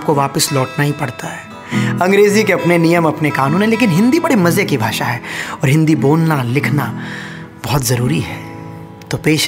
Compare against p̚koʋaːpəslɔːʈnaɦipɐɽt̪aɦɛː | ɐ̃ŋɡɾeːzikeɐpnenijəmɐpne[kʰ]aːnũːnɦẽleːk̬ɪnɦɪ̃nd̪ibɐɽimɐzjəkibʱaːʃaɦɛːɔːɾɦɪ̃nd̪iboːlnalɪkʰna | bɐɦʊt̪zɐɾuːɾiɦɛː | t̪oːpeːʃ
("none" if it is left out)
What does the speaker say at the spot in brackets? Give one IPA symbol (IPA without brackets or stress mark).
k